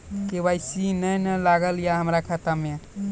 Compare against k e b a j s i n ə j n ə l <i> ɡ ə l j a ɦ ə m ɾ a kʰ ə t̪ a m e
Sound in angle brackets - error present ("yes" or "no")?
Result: yes